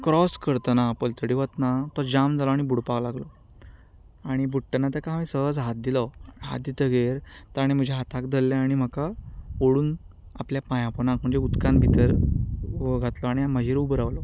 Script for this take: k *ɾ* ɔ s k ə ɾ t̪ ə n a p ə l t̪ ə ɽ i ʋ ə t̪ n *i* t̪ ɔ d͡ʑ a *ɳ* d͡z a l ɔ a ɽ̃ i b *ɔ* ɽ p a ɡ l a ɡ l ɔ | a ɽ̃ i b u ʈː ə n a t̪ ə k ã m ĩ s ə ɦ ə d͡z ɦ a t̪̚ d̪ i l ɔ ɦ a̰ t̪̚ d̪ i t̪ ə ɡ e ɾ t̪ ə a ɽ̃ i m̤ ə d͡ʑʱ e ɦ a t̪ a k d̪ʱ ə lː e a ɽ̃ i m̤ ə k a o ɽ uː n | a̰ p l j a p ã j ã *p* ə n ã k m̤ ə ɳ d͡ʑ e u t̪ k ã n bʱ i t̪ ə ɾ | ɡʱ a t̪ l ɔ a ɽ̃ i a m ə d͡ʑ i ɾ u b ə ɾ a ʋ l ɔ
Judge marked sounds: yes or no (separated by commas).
yes, no, no, no, yes